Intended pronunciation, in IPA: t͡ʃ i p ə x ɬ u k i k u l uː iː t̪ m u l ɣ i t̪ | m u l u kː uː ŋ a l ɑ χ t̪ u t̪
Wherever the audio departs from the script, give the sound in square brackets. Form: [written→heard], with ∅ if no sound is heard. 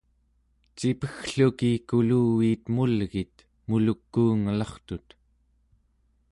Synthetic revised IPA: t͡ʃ i p ə x ɬ u k i k u l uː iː t̪ m u l ɣ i t̪ | m u l u kː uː ŋ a l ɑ χ t̪ u t̪